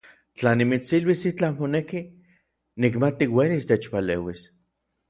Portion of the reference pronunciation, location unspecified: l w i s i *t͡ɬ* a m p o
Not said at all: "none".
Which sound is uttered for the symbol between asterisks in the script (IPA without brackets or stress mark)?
t͡ɬ